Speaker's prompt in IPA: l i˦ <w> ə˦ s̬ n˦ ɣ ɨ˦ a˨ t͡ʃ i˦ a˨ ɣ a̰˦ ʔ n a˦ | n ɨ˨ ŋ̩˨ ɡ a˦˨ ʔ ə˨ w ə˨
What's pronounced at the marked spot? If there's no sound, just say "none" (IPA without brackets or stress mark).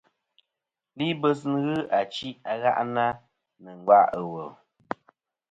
b